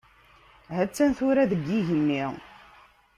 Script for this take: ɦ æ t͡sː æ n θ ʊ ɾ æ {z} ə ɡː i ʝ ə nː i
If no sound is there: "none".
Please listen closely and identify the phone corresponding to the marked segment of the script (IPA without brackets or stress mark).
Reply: ð